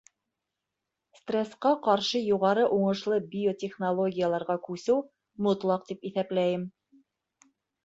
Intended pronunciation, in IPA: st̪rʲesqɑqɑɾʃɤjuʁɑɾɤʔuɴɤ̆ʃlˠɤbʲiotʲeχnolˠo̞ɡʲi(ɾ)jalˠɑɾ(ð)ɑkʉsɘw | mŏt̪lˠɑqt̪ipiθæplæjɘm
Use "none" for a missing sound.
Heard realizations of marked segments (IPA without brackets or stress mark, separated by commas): none, ʁ